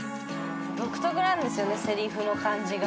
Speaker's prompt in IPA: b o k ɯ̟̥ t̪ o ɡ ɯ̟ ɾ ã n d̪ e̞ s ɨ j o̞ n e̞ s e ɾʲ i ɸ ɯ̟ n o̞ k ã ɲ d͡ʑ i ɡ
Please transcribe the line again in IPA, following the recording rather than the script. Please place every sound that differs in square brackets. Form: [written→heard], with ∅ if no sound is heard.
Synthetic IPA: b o k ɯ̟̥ t̪ o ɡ ɯ̟ ɾ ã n d̪ e̞ s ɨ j o̞ n e̞ s e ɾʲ i ɸ ɯ̟ n o̞ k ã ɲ d͡ʑ i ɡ